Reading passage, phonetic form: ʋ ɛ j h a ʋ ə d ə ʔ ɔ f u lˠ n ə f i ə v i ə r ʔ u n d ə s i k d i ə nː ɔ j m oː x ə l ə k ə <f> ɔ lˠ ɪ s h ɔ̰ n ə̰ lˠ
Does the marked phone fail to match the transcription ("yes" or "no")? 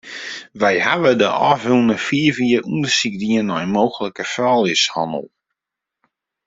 no